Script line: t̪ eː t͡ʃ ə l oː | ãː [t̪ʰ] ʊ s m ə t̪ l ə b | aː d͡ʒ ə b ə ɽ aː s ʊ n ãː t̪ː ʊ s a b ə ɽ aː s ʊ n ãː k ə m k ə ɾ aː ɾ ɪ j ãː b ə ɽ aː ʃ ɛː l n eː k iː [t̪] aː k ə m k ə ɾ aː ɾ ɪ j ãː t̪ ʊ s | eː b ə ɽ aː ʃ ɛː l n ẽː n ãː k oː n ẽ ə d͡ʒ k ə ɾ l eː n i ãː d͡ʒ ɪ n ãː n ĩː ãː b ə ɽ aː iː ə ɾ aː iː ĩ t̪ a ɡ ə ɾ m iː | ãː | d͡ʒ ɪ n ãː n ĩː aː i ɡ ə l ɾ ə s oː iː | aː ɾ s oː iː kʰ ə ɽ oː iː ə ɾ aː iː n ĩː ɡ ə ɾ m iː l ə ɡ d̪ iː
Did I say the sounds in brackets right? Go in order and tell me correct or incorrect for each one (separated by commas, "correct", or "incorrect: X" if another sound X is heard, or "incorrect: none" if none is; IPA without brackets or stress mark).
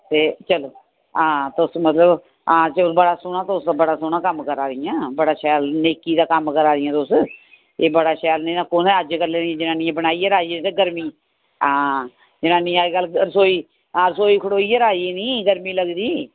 incorrect: t̪, incorrect: d̪